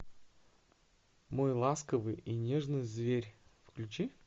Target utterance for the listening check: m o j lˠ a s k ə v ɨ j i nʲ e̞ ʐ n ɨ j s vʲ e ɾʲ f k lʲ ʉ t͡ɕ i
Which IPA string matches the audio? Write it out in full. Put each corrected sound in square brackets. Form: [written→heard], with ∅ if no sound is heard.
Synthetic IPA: m o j lˠ a s k ə v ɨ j i nʲ e̞ ʐ n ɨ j [s→z] vʲ e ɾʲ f k lʲ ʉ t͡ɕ i

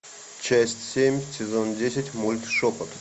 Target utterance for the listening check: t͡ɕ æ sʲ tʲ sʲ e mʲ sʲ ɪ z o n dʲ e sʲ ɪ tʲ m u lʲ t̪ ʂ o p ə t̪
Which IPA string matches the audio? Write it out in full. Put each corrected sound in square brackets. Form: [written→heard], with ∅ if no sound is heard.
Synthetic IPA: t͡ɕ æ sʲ tʲ sʲ e mʲ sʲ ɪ z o n dʲ e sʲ ɪ tʲ m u lʲ t̪ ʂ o p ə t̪

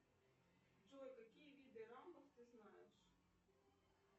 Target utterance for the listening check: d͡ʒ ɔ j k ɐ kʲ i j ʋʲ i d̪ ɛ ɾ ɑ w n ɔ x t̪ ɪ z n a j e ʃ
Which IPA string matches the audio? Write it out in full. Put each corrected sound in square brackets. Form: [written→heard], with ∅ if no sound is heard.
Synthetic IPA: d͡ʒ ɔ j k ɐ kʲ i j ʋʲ i d̪ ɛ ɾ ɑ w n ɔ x t̪ ɪ z n [a→ɑ] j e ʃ

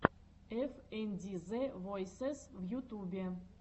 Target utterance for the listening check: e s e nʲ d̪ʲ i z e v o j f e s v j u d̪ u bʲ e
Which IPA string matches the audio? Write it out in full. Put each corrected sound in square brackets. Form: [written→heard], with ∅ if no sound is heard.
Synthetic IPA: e [s→f] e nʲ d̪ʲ i z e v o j [f→s] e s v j u [d̪→t̪] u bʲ e

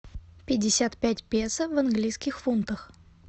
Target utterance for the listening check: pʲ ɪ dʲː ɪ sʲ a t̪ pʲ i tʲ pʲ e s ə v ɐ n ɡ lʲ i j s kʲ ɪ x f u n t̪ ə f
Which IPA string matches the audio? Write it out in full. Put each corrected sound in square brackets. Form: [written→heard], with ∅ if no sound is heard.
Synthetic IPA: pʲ ɪ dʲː ɪ sʲ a t̪ pʲ [i→æ] tʲ pʲ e s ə v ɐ n ɡ lʲ i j s kʲ ɪ x f u n t̪ ə [f→x]

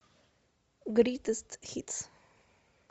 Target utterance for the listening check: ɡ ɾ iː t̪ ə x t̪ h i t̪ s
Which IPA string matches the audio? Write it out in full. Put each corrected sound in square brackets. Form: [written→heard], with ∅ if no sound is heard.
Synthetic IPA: ɡ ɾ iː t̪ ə [x→s] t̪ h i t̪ s

